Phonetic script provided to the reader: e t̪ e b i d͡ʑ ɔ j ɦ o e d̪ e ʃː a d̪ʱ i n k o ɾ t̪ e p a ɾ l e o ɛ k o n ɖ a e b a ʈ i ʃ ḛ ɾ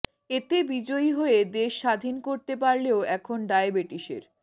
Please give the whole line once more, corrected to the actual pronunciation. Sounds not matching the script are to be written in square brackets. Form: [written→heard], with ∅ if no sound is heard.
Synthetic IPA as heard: e t̪ e b i d͡ʑ [ɔ→o] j ɦ o e d̪ e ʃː a d̪ʱ i n k o ɾ t̪ e p a ɾ l e o ɛ [k→kʰ] o n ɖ a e b [a→e] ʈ i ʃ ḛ ɾ